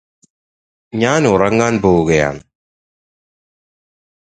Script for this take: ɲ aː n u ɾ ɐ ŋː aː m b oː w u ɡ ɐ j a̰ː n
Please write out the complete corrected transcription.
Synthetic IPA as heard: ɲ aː n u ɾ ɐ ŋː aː n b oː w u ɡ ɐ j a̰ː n